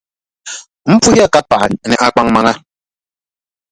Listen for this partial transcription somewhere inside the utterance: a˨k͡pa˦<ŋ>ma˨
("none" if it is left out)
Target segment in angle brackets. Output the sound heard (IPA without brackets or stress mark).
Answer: ŋ